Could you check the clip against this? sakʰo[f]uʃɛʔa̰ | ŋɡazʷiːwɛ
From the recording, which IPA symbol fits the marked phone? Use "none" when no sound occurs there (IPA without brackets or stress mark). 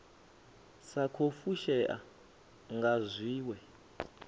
f